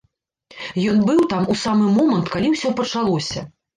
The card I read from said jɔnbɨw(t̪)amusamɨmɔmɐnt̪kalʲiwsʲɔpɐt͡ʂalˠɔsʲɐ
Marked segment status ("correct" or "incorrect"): correct